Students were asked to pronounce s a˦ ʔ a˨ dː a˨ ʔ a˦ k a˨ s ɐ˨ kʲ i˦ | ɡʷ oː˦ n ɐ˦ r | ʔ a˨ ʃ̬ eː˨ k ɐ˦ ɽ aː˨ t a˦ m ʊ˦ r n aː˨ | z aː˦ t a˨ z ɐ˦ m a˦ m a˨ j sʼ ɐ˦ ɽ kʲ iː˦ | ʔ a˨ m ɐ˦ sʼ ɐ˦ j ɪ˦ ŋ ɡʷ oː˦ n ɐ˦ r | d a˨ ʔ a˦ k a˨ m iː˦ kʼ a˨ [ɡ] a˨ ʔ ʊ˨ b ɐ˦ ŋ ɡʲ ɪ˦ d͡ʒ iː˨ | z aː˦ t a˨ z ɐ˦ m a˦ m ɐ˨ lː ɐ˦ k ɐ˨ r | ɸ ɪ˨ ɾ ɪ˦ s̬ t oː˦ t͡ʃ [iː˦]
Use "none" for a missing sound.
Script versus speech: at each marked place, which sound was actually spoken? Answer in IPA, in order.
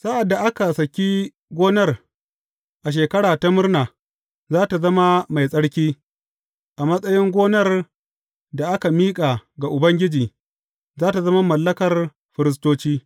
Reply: ɡ, iː˦

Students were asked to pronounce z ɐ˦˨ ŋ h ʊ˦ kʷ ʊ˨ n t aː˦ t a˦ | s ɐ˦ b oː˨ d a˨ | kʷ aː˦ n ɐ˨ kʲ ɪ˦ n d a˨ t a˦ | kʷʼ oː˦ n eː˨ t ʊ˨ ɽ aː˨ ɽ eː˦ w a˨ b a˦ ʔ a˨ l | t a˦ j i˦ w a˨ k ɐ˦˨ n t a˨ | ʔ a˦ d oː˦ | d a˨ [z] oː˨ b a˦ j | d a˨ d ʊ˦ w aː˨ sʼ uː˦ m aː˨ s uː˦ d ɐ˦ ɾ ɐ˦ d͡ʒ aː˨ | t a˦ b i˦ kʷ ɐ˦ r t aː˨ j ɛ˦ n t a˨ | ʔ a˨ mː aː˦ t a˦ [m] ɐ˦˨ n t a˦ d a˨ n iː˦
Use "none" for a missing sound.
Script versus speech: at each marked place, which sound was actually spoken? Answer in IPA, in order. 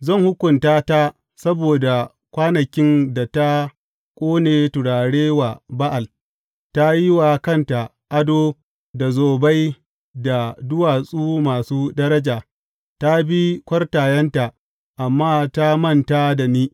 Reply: z, m

